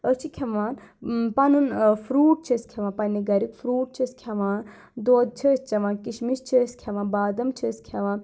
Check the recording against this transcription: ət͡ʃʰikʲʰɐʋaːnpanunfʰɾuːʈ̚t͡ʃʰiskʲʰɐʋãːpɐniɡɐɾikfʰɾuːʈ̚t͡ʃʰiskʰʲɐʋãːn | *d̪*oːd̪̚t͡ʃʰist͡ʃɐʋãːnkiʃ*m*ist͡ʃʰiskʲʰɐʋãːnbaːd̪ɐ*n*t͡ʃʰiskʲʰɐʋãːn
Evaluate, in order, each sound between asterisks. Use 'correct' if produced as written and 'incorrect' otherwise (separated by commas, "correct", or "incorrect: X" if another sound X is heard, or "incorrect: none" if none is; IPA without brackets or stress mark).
correct, correct, incorrect: m